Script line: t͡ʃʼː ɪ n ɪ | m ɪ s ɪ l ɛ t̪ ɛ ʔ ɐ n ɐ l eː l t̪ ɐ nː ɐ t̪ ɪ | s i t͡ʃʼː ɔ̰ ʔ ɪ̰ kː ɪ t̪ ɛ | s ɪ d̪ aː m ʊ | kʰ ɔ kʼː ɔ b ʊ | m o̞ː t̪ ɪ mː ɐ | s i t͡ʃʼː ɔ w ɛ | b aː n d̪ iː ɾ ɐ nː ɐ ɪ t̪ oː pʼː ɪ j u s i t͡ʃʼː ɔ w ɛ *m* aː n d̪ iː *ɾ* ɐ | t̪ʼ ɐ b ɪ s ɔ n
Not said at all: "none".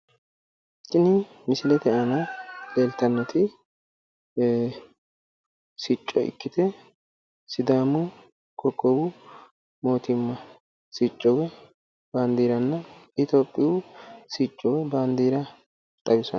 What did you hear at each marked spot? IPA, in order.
b, ɾ

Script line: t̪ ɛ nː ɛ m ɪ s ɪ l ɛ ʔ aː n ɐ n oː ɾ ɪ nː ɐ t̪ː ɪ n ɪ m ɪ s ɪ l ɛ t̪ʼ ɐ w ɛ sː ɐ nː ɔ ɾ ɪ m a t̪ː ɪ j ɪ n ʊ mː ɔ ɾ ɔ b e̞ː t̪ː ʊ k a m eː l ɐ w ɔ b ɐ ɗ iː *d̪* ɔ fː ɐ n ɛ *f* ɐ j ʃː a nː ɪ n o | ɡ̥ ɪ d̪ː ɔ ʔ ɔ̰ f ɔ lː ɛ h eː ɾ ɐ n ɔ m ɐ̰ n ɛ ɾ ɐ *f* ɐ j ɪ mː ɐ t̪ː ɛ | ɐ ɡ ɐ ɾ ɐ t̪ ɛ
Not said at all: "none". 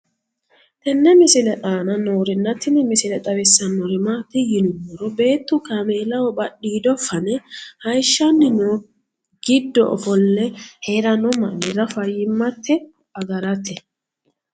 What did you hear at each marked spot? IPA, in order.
d̪, h, f

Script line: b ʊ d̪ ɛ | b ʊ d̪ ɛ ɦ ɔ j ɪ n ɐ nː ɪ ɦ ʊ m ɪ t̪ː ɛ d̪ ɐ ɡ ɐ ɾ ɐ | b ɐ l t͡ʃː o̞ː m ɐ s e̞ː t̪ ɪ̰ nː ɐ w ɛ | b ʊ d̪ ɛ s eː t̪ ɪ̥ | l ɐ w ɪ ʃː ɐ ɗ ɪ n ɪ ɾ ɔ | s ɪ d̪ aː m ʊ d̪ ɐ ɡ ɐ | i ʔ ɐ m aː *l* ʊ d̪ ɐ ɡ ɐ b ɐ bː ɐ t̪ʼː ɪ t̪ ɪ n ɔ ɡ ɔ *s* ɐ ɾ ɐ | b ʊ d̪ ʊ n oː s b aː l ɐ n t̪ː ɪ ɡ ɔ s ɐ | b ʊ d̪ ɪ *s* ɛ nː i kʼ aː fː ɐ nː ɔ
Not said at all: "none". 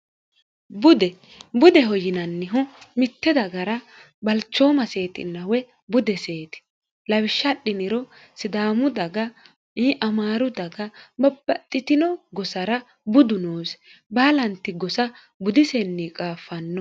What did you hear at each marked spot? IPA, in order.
ɾ, s, s

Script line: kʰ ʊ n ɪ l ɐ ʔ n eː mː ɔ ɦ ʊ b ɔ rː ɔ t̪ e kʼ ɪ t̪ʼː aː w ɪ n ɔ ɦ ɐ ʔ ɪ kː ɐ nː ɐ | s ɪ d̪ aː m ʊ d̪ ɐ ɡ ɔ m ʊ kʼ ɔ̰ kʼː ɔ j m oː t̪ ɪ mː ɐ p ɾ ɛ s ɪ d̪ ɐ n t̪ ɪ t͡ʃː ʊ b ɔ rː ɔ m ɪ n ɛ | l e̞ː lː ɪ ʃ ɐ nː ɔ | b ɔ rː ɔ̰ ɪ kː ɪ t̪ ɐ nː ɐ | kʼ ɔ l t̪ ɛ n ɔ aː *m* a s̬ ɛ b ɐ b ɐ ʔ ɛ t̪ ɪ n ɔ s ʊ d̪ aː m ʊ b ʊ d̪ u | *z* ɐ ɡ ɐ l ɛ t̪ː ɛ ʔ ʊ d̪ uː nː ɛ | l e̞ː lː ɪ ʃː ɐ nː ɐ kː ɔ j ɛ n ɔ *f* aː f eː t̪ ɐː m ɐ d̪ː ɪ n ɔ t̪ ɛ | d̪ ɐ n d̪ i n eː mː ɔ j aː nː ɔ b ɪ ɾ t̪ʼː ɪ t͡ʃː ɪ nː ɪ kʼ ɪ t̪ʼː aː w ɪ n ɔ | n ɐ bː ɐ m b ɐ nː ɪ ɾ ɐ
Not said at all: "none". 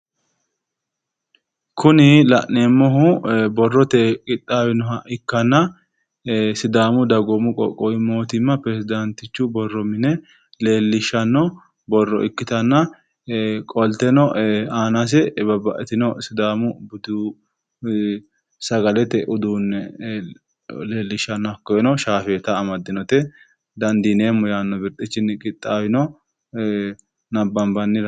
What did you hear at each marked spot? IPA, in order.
n, s, ʃ

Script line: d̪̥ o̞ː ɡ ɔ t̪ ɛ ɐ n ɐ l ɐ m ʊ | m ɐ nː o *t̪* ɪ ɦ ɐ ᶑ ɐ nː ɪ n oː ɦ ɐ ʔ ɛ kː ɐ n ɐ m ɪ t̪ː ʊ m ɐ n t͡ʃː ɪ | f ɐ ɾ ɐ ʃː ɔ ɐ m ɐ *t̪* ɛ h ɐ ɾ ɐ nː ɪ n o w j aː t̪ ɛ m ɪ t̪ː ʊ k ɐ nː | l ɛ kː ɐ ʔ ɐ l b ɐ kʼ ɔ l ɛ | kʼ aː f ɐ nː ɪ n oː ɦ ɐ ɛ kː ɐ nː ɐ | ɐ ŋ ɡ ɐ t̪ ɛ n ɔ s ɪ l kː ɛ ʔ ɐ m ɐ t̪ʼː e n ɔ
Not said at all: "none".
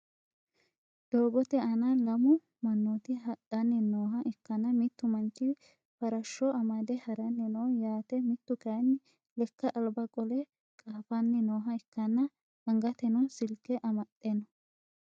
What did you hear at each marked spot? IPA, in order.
t̪, d̪

